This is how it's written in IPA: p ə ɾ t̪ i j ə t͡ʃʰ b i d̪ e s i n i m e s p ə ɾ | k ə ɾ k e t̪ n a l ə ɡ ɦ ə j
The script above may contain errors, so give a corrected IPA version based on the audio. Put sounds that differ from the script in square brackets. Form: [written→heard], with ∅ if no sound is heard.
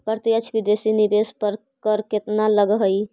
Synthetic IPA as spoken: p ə ɾ t̪ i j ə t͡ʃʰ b i d̪ e s i n i [m→b] e s p ə ɾ | k ə ɾ k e t̪ n a l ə ɡ ɦ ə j